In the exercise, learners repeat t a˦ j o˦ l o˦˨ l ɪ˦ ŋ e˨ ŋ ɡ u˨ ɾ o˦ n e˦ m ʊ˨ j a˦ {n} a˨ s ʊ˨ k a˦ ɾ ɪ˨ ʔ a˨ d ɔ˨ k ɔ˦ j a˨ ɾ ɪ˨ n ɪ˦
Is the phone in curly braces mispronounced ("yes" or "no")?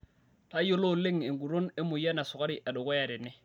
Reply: no